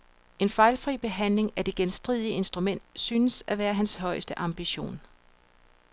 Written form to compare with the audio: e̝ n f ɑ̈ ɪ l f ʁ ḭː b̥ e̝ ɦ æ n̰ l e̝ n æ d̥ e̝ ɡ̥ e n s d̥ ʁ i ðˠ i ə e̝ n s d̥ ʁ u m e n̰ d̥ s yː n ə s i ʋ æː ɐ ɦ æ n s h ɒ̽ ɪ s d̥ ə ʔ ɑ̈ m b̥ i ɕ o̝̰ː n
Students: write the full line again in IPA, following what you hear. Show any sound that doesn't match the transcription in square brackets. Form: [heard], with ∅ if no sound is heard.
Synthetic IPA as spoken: e̝ n f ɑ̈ ɪ l f ʁ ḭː b̥ e̝ ɦ æ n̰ l e̝ [ŋ] æ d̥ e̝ ɡ̥ e n s d̥ ʁ i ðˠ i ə e̝ n s d̥ ʁ u m e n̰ d̥ s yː n ə s [æ] ʋ æː ɐ ɦ æ n s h ɒ̽ ɪ s d̥ ə ʔ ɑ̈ m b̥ i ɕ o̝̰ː n